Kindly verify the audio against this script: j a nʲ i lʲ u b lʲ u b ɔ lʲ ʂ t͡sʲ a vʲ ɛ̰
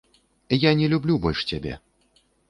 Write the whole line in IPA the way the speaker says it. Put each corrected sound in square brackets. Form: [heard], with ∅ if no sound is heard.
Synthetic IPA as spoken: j a nʲ [ɛ] lʲ u b lʲ u b ɔ lʲ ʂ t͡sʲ a [bʲ] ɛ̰